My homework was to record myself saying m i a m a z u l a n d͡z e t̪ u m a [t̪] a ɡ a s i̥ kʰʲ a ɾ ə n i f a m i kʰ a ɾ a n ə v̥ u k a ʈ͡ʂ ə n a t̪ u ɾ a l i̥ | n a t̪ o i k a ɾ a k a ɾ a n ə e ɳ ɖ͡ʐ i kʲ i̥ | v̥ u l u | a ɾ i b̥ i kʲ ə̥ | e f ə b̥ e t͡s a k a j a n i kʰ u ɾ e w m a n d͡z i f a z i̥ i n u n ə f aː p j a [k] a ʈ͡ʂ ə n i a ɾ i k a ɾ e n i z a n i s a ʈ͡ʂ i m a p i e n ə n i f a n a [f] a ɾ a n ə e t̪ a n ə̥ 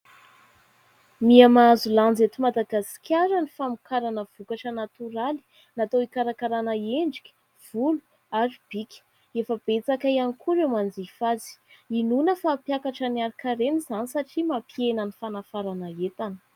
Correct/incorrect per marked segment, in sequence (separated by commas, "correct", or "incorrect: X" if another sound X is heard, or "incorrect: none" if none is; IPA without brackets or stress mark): incorrect: d̪, correct, correct